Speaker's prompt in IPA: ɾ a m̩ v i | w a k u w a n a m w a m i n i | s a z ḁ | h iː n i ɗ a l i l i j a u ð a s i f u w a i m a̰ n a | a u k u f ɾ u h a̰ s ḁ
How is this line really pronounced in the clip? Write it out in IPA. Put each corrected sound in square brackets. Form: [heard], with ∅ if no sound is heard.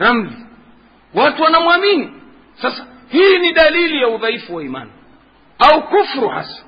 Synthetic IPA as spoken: ɾ a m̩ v i | w a [t] u w a n a m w a m i n i | s a [s] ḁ | h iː n i ɗ a l i l i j a u ð a [∅] i f u w a i m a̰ n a | a u k u f ɾ u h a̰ s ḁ